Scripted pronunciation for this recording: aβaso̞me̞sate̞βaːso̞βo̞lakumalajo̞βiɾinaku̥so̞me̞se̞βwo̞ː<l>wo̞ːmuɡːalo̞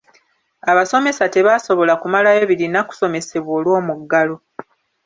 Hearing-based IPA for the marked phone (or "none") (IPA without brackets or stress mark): l